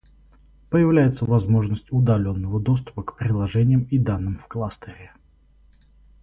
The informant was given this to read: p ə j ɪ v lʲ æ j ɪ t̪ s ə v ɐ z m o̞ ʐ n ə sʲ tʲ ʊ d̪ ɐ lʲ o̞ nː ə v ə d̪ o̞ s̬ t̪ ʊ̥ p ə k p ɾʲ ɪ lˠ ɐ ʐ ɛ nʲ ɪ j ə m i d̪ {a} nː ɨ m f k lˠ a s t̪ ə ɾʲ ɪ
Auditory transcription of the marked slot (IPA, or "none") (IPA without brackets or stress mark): a